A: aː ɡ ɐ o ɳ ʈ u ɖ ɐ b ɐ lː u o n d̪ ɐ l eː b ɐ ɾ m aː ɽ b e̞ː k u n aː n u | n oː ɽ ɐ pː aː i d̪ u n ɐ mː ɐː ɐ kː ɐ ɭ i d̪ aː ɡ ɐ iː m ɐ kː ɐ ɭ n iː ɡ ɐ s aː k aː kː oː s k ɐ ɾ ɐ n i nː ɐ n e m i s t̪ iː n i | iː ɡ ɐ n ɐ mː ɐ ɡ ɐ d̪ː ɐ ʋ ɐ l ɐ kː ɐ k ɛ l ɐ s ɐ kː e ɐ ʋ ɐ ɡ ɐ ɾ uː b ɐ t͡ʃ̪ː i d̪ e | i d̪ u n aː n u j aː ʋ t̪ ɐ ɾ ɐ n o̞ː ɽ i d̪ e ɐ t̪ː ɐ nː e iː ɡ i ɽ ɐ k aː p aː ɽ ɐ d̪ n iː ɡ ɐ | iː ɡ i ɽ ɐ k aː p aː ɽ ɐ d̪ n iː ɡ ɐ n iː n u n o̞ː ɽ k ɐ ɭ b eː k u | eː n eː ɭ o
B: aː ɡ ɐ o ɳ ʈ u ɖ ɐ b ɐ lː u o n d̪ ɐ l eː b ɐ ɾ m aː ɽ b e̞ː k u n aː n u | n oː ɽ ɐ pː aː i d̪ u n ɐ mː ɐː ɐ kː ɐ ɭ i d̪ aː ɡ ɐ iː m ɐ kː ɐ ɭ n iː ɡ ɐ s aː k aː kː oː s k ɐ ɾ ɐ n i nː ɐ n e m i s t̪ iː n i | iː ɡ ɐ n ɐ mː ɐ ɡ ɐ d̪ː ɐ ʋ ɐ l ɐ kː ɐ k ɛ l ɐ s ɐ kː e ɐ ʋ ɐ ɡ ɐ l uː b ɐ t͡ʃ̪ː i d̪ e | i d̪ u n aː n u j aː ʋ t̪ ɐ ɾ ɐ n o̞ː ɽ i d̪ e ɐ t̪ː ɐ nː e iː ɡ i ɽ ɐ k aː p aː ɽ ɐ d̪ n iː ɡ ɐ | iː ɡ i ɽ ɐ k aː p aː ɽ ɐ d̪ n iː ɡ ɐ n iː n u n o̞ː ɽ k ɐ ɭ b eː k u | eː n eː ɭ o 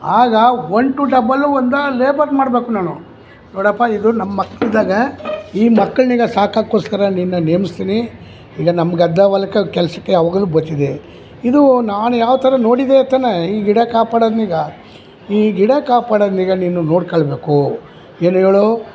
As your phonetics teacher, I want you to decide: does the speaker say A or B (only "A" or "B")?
B